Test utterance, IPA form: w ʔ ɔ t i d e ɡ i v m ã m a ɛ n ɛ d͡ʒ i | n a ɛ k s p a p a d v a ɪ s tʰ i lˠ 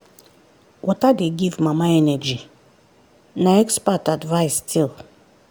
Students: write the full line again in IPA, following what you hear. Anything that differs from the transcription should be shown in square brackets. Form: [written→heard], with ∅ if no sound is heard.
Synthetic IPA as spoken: w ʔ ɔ t [i→a] d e ɡ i v m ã m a ɛ n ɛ d͡ʒ i | n a ɛ k s p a [p→t] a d v a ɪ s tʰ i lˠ